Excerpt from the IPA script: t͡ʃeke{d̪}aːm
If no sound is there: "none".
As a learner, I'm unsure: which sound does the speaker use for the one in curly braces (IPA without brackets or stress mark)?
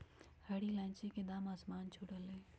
d̪